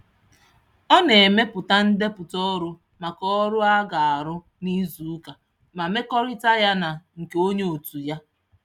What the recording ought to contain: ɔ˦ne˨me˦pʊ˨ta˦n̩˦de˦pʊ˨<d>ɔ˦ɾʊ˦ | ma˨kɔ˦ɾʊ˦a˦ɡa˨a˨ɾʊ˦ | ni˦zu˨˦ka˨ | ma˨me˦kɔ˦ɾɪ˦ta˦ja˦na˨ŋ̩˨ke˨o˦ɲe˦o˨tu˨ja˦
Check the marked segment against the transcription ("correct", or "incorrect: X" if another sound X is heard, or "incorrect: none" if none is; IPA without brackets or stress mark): incorrect: t